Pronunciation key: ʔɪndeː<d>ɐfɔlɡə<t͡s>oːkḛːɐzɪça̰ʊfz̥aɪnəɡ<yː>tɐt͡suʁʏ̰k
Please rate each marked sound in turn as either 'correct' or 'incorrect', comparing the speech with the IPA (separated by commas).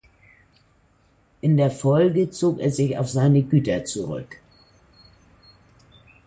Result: incorrect, correct, correct